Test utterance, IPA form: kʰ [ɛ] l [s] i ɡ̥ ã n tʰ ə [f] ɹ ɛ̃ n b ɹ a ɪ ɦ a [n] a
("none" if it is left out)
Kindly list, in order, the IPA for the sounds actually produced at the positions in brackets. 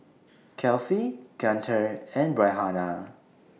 ɛ, f, none, n

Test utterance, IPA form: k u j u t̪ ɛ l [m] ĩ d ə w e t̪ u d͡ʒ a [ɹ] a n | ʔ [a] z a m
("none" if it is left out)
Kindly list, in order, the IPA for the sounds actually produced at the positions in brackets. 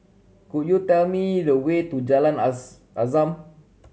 m, l, a

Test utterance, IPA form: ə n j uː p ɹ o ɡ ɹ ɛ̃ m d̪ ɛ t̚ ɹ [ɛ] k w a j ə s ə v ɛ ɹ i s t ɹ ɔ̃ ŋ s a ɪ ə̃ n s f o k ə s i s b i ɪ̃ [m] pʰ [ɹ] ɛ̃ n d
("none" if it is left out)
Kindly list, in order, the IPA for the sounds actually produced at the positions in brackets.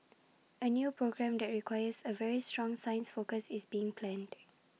i, ŋ, l

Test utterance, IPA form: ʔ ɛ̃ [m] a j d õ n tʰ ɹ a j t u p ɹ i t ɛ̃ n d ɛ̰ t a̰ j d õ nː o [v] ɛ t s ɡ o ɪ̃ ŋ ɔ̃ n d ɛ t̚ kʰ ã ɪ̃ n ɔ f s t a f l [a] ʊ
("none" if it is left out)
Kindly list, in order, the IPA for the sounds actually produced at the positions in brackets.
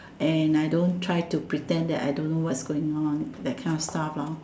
n, w, a

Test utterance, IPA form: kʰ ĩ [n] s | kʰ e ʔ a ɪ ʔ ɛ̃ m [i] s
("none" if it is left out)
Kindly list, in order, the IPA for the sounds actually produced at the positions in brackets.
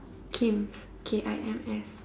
m, ɛ

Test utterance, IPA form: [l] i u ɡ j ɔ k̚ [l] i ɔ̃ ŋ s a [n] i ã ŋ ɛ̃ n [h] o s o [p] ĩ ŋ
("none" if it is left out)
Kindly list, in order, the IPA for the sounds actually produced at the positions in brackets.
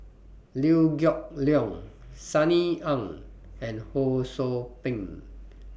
l, l, n, h, p

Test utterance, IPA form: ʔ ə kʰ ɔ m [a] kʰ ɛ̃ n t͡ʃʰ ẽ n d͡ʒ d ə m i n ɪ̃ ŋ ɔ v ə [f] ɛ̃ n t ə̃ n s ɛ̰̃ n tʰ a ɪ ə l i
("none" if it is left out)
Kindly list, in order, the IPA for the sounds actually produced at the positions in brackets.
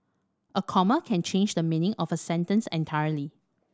ə, s

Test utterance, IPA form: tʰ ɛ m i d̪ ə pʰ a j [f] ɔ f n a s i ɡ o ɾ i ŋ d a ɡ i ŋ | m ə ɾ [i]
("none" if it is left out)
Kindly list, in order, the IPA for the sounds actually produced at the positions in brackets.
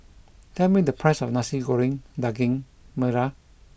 s, a

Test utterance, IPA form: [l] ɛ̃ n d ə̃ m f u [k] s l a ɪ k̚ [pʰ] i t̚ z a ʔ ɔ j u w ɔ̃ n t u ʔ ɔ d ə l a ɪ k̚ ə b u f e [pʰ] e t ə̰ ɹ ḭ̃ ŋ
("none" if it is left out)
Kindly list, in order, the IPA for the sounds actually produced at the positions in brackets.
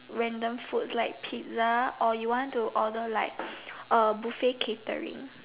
ɹ, t, pʰ, kʰ

